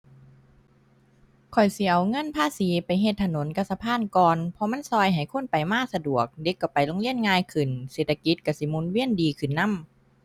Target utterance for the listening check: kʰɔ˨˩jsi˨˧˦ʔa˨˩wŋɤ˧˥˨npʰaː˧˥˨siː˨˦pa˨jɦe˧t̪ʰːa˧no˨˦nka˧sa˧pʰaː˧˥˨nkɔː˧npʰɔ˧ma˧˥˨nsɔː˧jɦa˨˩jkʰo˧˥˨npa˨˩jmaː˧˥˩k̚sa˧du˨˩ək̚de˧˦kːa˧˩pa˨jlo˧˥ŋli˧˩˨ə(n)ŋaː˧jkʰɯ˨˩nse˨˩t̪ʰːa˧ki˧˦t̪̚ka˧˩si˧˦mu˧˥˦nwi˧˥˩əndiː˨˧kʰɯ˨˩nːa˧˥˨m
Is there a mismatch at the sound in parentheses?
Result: no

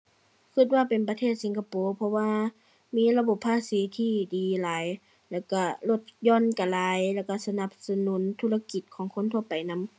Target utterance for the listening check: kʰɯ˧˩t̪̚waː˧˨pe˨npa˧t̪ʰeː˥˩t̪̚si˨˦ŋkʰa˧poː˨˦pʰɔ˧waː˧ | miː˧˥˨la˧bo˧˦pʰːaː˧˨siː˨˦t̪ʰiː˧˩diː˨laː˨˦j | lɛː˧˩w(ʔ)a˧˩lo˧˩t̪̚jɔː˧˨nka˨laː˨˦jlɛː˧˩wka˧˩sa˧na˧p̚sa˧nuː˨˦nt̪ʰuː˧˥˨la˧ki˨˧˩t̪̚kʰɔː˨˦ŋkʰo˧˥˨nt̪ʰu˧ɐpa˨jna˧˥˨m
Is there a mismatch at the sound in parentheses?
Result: yes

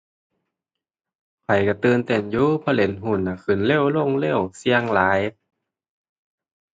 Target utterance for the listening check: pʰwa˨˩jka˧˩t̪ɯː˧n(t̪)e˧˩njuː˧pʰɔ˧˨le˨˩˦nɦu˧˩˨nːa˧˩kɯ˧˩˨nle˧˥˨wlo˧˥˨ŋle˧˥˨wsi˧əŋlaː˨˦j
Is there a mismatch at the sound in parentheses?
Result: no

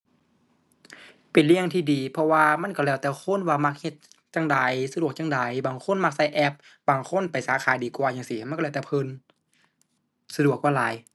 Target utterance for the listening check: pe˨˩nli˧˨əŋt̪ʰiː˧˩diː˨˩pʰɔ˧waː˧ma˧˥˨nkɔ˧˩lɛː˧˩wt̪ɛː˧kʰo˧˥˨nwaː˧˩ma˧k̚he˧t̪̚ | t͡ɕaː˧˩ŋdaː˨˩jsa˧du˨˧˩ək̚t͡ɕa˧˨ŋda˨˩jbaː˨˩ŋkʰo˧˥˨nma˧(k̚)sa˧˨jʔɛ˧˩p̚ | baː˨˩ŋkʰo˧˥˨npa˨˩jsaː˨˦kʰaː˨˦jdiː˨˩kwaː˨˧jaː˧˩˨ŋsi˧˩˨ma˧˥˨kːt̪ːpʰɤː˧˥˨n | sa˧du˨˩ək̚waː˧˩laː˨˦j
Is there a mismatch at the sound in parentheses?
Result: no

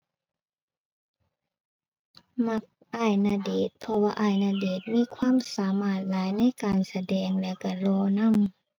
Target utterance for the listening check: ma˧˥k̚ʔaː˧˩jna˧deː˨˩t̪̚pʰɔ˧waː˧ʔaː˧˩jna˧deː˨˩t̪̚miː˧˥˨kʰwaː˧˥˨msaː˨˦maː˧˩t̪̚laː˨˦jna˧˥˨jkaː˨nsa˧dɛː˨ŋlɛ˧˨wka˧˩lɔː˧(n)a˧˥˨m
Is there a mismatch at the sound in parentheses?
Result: no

